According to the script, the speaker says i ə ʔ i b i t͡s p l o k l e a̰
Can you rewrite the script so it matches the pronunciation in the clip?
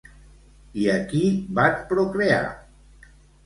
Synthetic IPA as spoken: i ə k i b a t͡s p ɾ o k ɾ e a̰